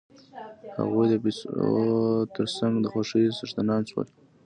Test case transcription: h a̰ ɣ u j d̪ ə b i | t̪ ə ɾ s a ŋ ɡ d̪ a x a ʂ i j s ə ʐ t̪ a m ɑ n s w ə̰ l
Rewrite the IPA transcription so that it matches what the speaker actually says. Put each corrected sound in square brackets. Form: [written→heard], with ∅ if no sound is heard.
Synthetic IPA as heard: h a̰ ɣ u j d̪ ə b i | t̪ ə ɾ s a ŋ ɡ d̪ [a→ə] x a ʂ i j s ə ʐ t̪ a [m→n] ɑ n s w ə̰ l